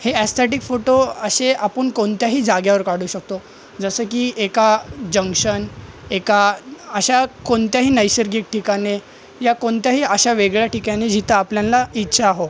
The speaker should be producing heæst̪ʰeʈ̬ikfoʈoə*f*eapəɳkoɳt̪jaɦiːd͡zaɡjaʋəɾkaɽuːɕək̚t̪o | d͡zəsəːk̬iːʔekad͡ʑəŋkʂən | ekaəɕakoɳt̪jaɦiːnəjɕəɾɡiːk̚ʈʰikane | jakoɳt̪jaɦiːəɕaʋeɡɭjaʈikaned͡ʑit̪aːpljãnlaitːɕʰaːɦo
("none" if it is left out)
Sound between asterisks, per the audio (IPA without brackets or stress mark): ɕ